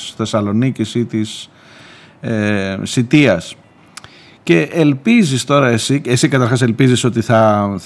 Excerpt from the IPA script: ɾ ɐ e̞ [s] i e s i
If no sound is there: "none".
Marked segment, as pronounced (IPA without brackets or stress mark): s